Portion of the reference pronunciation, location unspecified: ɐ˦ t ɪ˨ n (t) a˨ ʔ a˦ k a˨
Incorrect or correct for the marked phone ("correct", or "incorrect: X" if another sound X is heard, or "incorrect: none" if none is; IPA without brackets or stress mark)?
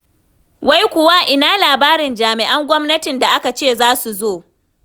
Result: incorrect: d